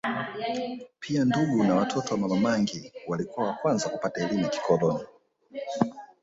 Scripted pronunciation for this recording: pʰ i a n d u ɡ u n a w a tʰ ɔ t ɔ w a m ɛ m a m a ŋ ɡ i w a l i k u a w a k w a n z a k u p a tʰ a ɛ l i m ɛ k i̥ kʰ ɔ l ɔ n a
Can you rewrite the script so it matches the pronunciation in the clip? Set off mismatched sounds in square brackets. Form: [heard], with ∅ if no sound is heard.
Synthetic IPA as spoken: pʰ i a n d u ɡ u n a w a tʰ ɔ t ɔ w a m [a] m a m a ŋ ɡ i w a l i k u a w a k w a n z a k u p a [t] a ɛ l i m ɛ k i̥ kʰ ɔ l ɔ n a